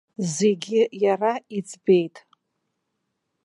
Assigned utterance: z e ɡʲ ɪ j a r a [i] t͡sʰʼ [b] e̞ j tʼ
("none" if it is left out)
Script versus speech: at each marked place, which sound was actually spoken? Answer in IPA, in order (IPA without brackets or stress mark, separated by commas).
i, b